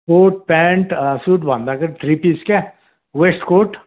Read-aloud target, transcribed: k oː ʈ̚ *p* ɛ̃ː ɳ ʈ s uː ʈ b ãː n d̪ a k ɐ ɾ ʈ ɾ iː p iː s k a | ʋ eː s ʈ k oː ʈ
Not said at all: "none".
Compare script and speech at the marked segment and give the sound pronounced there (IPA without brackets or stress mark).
p